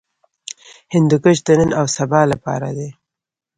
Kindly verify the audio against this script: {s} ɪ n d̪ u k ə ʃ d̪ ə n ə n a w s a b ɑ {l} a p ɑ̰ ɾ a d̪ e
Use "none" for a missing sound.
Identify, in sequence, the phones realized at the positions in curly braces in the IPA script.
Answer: h, l

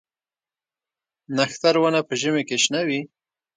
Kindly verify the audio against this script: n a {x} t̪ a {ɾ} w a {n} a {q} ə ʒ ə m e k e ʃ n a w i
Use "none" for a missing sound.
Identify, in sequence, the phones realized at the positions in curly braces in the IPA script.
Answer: x, ɾ, n, p

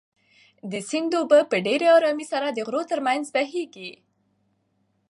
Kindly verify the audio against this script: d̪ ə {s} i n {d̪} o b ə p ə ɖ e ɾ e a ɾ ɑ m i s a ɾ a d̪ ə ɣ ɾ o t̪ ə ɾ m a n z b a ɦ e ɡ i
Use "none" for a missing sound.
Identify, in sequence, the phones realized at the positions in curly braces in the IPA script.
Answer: s, d̪

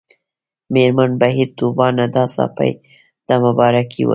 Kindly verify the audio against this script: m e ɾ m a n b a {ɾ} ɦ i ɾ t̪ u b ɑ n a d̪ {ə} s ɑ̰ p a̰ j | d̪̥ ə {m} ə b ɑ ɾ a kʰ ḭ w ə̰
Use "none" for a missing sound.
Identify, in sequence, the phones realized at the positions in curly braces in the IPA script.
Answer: none, ɑ, m

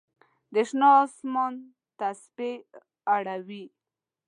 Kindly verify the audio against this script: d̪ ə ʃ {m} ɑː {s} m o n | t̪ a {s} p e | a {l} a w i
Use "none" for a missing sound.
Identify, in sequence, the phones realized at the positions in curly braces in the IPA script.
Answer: n, s, s, ɽ

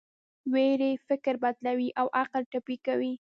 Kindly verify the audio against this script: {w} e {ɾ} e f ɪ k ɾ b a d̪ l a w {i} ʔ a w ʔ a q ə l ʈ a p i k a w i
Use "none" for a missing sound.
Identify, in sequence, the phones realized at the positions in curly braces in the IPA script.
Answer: w, ɾ, i

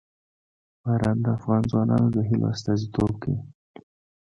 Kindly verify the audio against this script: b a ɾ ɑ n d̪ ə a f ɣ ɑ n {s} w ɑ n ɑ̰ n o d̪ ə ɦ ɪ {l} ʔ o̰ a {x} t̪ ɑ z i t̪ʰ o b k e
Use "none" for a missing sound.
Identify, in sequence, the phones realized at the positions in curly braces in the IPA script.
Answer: z, l, s

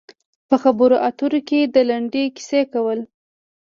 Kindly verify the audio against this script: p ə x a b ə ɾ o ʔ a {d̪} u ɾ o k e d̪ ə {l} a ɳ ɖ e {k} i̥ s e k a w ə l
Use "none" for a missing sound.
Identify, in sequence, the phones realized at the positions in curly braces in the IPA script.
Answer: t̪, l, k

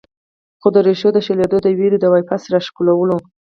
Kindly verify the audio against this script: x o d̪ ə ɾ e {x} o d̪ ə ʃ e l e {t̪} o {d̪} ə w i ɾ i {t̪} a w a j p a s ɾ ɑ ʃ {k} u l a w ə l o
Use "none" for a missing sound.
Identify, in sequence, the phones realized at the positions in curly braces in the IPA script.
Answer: ʃ, d̪, d̪, d̪, k

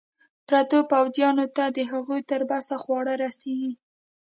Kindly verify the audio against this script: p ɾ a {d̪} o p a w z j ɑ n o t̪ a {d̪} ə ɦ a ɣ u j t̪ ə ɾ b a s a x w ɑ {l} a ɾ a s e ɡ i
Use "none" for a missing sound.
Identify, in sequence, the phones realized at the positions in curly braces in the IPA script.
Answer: t̪, d̪, ɽ

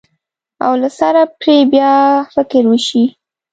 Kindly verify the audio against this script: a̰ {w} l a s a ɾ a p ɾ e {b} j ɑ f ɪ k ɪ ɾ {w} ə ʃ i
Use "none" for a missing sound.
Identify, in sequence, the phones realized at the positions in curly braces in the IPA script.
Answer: w, b, w

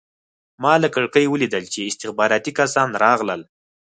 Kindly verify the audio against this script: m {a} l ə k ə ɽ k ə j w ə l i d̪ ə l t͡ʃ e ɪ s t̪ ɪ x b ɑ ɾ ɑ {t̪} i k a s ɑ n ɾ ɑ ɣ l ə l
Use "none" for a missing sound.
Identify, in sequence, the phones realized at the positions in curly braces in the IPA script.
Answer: ɑ, t̪

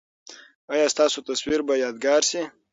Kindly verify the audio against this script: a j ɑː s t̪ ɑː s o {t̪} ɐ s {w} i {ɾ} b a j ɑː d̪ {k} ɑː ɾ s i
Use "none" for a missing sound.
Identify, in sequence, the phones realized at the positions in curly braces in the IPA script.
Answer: t̪, w, ɾ, ɡ

